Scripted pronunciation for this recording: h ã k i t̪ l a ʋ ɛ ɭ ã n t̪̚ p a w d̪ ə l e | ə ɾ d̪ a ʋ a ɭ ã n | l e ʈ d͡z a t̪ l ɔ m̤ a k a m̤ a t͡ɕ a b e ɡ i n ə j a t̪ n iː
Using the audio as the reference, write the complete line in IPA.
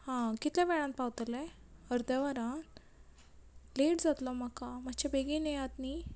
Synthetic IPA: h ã k i t̪ l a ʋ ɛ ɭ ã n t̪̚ p a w t̪ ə l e | ə ɾ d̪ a ʋ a ɾ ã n | l e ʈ d͡z a t̪ l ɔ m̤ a k a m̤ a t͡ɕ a b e ɡ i n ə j a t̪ n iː